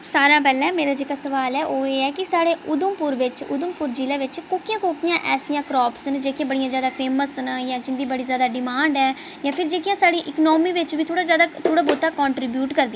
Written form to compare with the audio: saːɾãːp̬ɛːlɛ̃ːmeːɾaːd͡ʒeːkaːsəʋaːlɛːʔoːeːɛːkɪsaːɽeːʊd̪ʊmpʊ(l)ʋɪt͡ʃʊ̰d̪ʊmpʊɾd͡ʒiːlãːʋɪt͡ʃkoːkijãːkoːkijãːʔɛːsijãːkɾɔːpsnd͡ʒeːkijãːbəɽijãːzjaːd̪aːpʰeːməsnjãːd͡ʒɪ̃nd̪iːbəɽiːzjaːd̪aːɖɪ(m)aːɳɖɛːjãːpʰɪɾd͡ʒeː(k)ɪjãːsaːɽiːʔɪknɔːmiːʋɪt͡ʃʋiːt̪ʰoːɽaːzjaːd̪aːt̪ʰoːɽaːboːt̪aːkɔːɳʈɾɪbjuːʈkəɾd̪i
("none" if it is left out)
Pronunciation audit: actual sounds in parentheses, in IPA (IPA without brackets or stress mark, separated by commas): ɾ, m, k